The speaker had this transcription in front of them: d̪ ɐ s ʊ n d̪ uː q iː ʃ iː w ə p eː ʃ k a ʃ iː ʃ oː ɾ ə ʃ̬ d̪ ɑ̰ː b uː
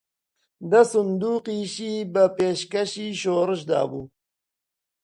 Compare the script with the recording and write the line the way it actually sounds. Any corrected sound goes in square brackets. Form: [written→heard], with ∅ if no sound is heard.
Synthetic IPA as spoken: d̪ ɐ s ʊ n d̪ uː q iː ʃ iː [w→b] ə p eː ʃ k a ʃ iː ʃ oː ɾ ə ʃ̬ d̪ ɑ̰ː b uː